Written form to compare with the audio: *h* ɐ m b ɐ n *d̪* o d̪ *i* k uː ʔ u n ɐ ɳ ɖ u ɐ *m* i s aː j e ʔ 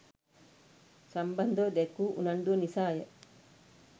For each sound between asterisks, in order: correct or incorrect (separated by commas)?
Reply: incorrect, correct, incorrect, incorrect